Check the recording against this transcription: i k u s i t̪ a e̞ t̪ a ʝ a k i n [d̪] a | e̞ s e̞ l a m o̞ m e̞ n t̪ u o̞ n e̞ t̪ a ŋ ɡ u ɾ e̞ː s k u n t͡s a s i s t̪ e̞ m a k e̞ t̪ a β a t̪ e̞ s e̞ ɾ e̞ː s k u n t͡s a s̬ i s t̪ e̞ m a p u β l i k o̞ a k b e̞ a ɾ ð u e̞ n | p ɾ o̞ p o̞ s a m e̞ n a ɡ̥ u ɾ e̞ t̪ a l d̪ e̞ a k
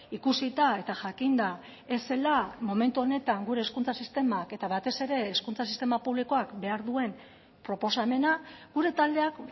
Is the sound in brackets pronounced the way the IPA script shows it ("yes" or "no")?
yes